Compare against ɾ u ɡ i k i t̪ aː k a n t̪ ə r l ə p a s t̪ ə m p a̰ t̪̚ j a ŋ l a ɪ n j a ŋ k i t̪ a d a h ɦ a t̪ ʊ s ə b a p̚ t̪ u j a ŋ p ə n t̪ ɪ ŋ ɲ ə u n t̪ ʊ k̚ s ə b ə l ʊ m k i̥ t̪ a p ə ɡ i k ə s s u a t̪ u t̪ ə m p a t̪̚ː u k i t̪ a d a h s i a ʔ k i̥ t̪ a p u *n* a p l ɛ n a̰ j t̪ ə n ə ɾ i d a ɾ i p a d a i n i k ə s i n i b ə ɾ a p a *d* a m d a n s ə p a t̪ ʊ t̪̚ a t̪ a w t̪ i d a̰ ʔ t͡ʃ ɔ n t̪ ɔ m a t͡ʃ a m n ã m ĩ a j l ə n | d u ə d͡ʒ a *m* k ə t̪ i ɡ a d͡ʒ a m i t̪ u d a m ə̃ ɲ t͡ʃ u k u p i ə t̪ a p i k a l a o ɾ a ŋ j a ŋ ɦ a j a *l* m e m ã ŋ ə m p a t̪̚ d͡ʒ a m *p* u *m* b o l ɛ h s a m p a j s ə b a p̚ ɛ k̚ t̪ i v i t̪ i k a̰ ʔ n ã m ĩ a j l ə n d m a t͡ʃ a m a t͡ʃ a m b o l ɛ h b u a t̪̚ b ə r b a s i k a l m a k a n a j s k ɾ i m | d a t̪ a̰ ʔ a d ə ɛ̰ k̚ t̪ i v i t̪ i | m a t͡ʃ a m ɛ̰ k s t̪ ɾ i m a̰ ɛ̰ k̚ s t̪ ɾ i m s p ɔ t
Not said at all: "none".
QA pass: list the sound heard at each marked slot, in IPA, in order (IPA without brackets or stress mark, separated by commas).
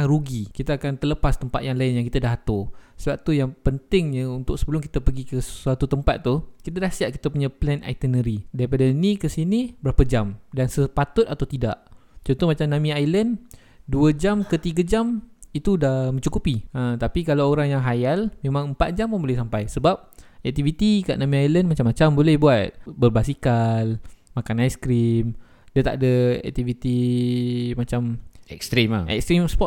ɲ, d͡ʒ, m, l, p, n